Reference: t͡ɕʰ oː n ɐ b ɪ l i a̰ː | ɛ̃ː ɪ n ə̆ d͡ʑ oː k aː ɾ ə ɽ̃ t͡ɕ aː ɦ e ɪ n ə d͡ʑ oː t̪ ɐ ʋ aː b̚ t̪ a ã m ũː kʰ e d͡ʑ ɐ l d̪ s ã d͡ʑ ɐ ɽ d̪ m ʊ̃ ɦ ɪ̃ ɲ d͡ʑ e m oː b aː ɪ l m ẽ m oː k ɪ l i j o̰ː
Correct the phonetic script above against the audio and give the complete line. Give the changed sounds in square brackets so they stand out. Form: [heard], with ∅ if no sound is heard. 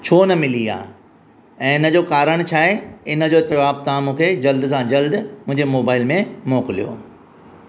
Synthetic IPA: t͡ɕʰ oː n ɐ [m] ɪ l i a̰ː | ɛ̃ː ɪ n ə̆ d͡ʑ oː k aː ɾ ə ɽ̃ [t͡ɕʰ] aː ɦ e ɪ n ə d͡ʑ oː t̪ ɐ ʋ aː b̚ t̪ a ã m ũː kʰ e d͡ʑ ɐ l d̪ s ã d͡ʑ ɐ [l] d̪ m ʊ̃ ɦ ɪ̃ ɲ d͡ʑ e m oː b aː ɪ l m ẽ m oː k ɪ l i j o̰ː

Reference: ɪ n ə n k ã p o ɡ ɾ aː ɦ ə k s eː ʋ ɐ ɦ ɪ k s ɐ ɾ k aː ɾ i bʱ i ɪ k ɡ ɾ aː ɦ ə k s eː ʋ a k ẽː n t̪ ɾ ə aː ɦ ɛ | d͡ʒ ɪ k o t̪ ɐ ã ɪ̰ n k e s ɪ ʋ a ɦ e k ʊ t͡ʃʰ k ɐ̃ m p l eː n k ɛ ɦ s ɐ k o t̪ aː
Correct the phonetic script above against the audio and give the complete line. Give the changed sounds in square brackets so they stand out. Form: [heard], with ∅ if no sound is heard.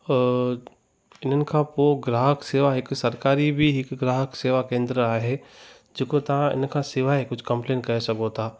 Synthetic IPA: ɪ n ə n k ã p o ɡ ɾ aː ɦ ə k s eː ʋ [a] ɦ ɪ k s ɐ ɾ k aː ɾ i bʱ i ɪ k ɡ ɾ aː ɦ ə k s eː ʋ a k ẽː n [d̪] ɾ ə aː ɦ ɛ | d͡ʒ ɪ k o t̪ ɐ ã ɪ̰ n k [a] s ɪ ʋ a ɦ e k ʊ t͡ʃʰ k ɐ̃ m p l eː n k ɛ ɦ s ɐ k o t̪ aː

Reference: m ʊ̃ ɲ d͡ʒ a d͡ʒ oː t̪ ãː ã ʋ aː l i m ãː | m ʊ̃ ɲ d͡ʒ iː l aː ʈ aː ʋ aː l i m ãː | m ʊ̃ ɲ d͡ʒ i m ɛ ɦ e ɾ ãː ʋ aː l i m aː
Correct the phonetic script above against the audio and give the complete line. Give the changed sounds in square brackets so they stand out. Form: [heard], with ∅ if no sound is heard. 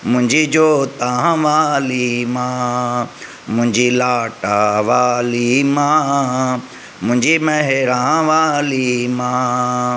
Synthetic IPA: m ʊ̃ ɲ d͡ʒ [i] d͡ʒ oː t̪ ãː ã ʋ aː l i m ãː | m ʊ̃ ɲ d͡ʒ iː l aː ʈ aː ʋ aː l i m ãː | m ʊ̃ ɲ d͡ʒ i m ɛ ɦ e ɾ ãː ʋ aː l i m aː

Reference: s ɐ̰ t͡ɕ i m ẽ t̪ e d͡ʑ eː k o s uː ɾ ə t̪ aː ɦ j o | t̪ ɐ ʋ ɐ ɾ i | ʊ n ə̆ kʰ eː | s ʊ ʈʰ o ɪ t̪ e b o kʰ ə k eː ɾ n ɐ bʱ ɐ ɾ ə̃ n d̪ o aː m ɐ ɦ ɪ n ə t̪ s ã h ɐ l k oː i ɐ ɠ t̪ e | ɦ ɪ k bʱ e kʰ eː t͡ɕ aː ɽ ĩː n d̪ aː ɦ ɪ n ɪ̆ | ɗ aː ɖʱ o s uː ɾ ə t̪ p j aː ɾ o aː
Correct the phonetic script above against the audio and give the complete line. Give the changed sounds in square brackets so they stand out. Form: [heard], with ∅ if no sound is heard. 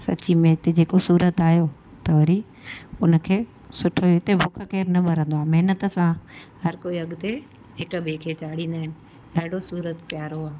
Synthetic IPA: s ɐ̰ t͡ɕ i m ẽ t̪ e d͡ʑ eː k o s uː ɾ ə t̪ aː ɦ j o | t̪ ɐ ʋ ɐ ɾ i | ʊ n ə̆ kʰ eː | s ʊ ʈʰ o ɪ t̪ e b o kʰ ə k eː ɾ n ɐ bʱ ɐ ɾ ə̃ n d̪ o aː m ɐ ɦ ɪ n ə t̪ s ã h ɐ [ɾ] k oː i ɐ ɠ t̪ e | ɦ ɪ k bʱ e kʰ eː t͡ɕ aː ɽ ĩː n d̪ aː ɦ ɪ n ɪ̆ | ɗ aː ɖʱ o s uː ɾ ə t̪ p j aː ɾ o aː

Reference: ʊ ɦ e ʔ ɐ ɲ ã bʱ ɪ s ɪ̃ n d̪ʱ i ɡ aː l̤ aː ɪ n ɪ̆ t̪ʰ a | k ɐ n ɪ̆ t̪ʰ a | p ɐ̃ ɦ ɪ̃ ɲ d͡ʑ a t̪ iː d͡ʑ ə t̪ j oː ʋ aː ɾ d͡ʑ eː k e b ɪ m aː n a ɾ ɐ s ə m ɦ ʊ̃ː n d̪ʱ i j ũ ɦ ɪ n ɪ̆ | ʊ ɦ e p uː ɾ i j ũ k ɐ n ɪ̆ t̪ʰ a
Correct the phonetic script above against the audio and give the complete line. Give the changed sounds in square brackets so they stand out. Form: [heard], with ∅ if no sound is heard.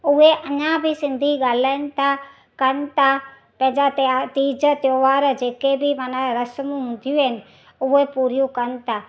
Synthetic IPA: ʊ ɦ e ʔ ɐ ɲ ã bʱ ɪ s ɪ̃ n d̪ʱ i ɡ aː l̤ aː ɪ n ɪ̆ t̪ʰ a | k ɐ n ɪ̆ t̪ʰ a | p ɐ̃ ɦ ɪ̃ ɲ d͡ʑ a t̪ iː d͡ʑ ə t̪ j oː ʋ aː ɾ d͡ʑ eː k e b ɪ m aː n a ɾ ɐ s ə m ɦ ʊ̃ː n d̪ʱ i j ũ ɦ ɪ n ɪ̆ | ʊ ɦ e p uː ɾ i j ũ k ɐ n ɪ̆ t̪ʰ a

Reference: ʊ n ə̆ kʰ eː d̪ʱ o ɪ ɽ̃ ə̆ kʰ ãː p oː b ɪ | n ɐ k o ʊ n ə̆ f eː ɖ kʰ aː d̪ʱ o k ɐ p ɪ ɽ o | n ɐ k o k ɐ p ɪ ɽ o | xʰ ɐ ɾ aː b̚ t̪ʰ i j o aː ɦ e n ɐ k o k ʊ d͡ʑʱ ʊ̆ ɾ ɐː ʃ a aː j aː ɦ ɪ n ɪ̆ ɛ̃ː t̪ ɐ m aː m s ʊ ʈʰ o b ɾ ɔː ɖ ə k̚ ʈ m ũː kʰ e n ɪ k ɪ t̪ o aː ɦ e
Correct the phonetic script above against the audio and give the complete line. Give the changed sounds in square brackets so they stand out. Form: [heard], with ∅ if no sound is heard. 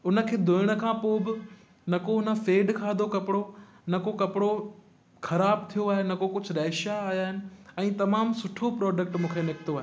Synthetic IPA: ʊ n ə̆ kʰ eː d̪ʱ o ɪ ɽ̃ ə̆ kʰ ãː p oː b ɪ | n ɐ k o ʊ n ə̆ f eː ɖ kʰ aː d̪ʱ o k ɐ p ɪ ɽ o | n ɐ k o k ɐ p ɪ ɽ o | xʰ ɐ ɾ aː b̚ t̪ʰ i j o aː ɦ e n ɐ k o k ʊ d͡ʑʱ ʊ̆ ɾ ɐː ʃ a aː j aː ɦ ɪ n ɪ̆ ɛ̃ː t̪ ɐ m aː m s ʊ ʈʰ o [p] ɾ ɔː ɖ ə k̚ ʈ m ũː kʰ e n ɪ k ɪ t̪ o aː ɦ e

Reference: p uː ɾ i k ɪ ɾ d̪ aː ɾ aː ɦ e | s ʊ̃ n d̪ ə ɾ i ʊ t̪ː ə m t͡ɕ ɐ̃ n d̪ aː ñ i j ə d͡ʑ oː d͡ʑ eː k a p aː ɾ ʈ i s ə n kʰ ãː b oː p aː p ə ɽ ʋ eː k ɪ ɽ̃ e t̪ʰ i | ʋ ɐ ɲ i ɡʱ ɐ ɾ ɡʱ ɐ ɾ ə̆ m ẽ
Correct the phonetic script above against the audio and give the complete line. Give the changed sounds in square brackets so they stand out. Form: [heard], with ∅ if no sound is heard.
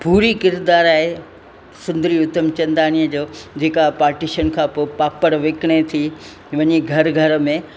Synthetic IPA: p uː ɾ i k ɪ ɾ d̪ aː ɾ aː ɦ e | s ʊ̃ n d̪ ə ɾ i ʊ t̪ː ə m t͡ɕ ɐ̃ n d̪ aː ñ i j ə d͡ʑ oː d͡ʑ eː k a p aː ɾ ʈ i [ʃ] ə n kʰ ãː [p] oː p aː p ə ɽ ʋ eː k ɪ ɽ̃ e t̪ʰ i | ʋ ɐ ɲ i ɡʱ ɐ ɾ ɡʱ ɐ ɾ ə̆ m ẽ

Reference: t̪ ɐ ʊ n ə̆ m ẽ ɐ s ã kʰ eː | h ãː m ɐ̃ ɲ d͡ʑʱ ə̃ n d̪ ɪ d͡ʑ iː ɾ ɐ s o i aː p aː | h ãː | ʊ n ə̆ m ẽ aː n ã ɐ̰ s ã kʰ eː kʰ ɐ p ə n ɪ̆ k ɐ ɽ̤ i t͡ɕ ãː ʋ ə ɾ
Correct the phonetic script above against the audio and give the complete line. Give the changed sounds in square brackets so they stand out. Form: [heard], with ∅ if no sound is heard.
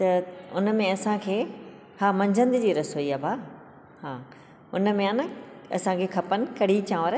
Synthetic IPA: t̪ ɐ ʊ n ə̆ m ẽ ɐ s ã kʰ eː | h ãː m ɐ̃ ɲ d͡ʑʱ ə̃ n d̪ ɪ d͡ʑ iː ɾ ɐ s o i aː [b] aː | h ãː | ʊ n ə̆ m ẽ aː n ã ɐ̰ s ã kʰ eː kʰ ɐ p ə n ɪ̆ k ɐ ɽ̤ i t͡ɕ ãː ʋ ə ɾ

